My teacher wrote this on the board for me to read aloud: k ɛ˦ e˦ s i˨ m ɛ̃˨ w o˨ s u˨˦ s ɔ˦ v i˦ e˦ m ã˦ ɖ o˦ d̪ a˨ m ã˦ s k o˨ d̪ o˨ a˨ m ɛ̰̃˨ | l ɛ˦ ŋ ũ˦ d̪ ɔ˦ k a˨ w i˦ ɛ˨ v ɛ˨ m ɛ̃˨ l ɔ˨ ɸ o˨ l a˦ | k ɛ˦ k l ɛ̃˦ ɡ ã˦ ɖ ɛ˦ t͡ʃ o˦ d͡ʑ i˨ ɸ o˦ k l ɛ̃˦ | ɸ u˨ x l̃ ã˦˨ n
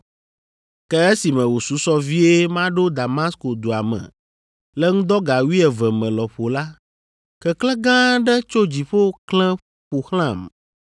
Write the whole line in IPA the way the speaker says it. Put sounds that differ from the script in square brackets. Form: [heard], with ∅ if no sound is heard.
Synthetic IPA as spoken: k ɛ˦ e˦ s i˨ m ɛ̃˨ w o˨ s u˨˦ s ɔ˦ v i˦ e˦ m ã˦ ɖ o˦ d̪ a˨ m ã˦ s k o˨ d̪ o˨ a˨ m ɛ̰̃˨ | l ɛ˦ ŋ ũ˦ d̪ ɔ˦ [ɡ] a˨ w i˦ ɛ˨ v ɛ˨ m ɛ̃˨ l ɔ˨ ɸ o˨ l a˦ | k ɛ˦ k l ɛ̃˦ ɡ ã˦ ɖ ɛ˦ t͡ʃ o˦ d͡ʑ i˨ ɸ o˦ k l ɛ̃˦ | ɸ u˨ x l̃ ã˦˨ [m]